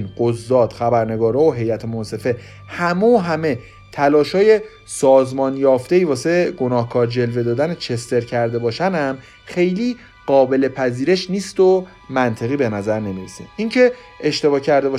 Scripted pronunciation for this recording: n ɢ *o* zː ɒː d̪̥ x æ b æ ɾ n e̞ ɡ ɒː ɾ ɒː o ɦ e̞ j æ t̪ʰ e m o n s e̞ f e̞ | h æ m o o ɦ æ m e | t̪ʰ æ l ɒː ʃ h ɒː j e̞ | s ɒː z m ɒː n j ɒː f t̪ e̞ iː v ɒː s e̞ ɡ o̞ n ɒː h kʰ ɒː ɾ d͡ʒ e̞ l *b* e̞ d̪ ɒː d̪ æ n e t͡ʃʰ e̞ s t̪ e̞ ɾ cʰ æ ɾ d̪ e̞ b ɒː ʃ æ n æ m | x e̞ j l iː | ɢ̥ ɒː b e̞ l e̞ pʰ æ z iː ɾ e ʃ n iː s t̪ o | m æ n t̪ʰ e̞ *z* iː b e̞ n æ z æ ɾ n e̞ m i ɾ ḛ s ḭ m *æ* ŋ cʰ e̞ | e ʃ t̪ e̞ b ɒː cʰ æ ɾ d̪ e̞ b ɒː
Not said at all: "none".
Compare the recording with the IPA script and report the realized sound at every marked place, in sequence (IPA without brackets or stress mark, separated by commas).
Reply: o, v, ɣ, i